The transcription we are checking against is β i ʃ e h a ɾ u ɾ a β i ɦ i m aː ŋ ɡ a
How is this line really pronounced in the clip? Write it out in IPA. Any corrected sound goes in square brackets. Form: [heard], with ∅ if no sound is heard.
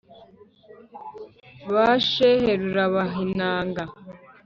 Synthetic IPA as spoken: β [a] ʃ e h [e] ɾ u ɾ a β [a] ɦ i [n] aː ŋ ɡ a

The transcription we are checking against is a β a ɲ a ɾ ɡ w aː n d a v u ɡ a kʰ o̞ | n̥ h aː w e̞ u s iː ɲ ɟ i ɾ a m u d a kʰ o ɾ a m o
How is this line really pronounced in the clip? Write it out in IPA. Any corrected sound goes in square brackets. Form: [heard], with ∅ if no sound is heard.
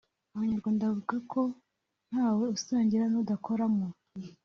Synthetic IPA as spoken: a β a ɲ a ɾ ɡ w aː n d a v u ɡ a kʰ o̞ | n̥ h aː w e̞ u s [aː] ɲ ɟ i ɾ a [n] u d a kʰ o ɾ a m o

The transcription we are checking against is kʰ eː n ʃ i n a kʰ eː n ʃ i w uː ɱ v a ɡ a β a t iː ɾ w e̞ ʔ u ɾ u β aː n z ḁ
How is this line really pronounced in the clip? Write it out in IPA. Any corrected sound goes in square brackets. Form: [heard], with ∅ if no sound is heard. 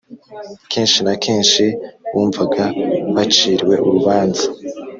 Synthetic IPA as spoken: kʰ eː n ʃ i n a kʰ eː n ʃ i w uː ɱ v a ɡ a β a [t͡ʃ] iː ɾ w e̞ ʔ u ɾ u β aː n z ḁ

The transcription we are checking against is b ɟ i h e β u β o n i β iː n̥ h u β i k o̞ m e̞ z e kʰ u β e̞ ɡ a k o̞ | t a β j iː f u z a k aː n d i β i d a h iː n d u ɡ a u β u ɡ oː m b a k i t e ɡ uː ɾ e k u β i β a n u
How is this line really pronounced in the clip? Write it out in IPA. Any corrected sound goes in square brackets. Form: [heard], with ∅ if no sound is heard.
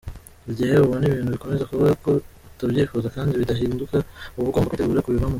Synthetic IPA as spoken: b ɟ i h e β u β o n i β iː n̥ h u β i k o̞ m e̞ z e [k] u β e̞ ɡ a k o̞ | t a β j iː f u z a k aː n d i β i d a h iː n d u [k] a u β u ɡ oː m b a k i t e ɡ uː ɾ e k u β i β a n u

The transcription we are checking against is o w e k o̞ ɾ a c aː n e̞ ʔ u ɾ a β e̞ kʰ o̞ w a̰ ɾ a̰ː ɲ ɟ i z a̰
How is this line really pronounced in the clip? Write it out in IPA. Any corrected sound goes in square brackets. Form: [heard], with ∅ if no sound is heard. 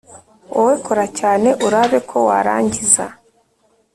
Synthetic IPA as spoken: o w e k o̞ ɾ a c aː n e̞ ʔ u ɾ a β e̞ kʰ o̞ w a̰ ɾ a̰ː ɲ ɟ i z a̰

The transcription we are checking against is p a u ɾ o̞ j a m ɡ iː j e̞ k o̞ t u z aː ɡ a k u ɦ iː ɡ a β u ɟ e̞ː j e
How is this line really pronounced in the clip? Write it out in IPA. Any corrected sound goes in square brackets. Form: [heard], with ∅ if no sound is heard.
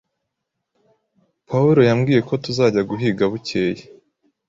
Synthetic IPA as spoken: p a u ɾ o̞ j a m ɡ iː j e̞ k o̞ t u z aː [ɟ] a [ɡ] u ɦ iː ɡ a β u [c] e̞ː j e

